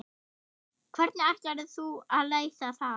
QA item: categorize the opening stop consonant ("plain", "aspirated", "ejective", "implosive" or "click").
aspirated